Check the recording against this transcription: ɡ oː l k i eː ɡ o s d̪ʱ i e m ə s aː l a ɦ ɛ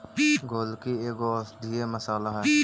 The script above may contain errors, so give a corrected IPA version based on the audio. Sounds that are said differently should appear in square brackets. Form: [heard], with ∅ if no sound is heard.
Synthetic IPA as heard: ɡ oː l k i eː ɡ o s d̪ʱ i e m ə s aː l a ɦ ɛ